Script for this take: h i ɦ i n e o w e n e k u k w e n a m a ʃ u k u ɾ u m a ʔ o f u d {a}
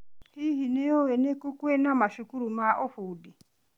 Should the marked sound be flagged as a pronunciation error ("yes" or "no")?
yes